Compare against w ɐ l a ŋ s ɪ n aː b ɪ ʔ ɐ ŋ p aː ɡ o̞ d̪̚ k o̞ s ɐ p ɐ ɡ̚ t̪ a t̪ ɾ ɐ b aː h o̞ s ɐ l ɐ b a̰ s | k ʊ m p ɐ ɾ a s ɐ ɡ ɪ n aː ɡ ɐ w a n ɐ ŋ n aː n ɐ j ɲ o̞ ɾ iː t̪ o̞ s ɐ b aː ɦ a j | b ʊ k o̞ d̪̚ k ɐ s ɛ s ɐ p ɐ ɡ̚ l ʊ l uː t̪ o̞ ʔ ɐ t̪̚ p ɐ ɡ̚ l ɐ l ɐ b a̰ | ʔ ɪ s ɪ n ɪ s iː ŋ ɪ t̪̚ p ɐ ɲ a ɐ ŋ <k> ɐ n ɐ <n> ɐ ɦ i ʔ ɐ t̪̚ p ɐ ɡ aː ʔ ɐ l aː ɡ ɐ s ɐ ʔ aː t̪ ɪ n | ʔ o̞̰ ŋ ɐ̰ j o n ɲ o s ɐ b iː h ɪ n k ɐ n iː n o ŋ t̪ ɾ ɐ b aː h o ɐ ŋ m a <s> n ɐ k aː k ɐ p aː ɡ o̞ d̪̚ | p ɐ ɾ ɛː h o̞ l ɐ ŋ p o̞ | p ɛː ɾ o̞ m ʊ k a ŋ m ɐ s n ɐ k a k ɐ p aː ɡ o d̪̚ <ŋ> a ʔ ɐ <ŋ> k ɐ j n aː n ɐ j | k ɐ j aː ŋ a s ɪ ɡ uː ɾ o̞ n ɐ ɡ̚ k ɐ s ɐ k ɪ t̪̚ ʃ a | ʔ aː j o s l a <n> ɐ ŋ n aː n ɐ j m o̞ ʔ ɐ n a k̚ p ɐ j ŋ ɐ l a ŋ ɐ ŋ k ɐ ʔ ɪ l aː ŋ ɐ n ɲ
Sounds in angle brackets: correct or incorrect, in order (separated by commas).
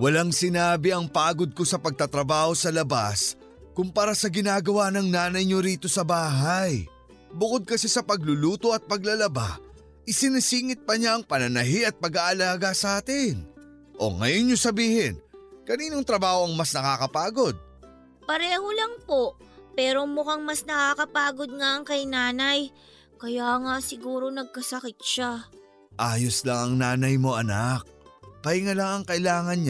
incorrect, correct, correct, correct, correct, incorrect